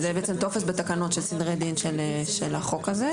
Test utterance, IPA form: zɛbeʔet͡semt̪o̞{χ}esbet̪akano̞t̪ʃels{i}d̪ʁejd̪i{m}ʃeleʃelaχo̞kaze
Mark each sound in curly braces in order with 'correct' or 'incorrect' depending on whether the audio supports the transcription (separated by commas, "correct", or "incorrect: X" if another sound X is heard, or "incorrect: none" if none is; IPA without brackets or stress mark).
incorrect: f, correct, incorrect: n